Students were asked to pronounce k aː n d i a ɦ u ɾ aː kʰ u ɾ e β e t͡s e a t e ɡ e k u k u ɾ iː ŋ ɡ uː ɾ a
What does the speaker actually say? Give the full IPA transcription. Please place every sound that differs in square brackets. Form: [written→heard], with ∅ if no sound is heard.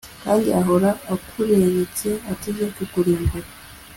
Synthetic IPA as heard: k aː n d i a ɦ [u→o] ɾ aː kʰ u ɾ e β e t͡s e a t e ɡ e k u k u ɾ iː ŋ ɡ [uː→u] ɾ a